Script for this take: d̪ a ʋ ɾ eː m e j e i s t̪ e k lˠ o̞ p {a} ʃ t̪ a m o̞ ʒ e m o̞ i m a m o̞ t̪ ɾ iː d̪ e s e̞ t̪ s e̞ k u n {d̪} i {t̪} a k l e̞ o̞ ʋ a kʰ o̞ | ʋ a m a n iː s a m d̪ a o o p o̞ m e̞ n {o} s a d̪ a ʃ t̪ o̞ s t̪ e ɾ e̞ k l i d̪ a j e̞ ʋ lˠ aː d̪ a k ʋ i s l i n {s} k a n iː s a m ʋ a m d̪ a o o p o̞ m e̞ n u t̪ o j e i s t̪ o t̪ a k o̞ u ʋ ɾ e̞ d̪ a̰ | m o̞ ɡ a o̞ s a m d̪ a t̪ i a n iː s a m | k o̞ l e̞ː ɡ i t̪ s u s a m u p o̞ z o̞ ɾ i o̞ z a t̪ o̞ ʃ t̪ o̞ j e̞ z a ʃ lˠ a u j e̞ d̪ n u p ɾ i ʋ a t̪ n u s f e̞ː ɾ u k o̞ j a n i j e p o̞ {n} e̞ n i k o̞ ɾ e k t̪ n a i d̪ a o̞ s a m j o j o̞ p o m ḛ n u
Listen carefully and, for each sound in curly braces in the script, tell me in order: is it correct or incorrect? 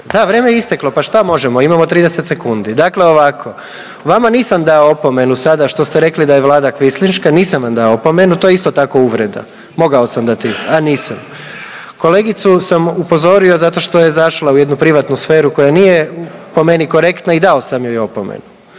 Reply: correct, correct, incorrect: d̪, incorrect: u, incorrect: ʃ, incorrect: m

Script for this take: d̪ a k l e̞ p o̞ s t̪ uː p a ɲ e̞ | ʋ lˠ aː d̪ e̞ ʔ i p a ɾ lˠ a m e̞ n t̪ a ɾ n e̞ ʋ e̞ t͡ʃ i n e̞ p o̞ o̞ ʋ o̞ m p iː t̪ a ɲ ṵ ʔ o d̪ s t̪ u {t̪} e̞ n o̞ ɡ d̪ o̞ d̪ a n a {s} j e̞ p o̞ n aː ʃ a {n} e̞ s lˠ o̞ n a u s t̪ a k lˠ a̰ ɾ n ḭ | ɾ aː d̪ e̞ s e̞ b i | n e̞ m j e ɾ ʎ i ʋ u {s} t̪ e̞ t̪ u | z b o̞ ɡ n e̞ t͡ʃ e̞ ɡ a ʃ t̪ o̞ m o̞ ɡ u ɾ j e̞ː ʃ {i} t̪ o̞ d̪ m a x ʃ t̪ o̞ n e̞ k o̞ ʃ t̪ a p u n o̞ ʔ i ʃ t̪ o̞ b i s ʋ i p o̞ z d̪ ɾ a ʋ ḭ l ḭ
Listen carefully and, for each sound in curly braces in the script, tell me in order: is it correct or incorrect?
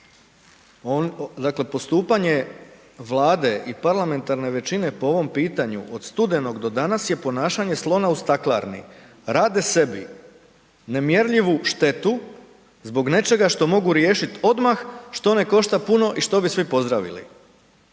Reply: incorrect: d̪, correct, incorrect: ɲ, incorrect: ʃ, correct

